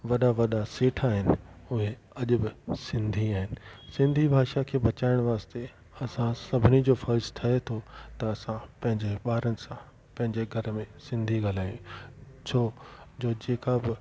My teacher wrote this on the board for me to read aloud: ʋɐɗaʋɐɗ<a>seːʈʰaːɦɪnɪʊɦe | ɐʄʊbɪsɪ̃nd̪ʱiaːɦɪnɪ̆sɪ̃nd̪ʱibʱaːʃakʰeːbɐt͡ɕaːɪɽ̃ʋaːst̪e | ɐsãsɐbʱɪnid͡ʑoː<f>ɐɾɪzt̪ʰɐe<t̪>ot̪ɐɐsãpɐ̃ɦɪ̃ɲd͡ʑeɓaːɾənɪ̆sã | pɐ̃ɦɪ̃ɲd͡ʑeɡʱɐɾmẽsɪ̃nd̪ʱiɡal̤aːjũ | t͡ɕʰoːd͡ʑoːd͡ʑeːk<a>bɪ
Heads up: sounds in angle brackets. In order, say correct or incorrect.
correct, correct, incorrect, correct

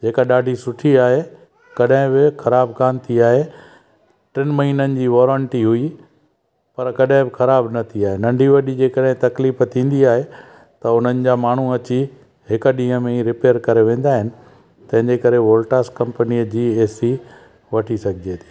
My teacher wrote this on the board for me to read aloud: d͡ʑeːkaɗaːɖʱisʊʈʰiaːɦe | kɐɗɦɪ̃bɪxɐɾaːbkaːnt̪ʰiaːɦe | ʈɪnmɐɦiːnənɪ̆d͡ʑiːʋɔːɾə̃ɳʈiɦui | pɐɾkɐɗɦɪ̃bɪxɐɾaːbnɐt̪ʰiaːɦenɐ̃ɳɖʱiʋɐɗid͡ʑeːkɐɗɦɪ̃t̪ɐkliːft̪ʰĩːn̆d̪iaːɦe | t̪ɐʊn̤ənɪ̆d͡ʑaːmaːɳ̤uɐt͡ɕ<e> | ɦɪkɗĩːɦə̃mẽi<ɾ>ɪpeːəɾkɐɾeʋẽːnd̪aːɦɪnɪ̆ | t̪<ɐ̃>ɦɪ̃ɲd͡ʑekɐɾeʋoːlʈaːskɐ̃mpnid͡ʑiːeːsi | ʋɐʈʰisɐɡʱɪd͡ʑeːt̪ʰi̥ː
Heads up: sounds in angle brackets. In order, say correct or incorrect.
incorrect, correct, correct

